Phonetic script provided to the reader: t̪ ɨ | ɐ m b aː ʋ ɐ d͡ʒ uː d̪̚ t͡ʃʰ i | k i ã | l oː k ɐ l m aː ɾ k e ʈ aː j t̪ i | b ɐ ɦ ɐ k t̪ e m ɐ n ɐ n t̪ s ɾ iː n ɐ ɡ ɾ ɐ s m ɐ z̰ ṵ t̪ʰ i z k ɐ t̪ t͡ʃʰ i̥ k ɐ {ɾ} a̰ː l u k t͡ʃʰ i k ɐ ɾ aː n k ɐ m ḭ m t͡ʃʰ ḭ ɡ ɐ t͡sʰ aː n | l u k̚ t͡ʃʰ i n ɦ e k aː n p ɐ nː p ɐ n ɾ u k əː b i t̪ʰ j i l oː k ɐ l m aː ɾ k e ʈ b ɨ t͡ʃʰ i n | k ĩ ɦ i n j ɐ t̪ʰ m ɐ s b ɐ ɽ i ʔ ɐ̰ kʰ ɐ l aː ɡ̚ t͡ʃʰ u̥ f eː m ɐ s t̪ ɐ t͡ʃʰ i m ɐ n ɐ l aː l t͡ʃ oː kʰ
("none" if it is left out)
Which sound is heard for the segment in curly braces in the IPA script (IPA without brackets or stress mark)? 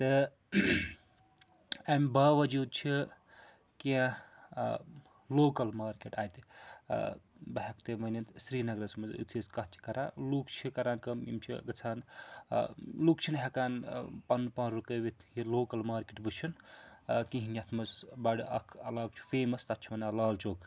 ɾ